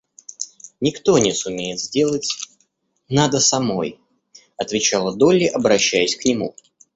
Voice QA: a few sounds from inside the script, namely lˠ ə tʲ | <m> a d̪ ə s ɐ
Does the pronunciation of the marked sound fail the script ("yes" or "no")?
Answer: yes